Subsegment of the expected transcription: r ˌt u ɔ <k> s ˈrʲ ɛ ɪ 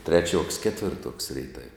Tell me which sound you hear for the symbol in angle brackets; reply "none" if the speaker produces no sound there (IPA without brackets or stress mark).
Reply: k